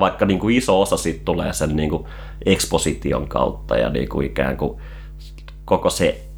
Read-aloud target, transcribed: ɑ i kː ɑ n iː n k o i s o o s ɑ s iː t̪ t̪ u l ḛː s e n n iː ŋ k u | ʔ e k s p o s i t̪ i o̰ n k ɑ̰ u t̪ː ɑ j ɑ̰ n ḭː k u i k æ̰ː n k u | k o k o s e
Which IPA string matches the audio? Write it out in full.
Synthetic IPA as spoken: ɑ i kː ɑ n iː ŋ k u i s o o s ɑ s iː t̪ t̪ u l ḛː s e n n iː ŋ k u | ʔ e k s p o s i t̪ i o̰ ŋ k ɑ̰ u t̪ː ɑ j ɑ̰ n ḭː k u i k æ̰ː ŋ k u | k o k o s e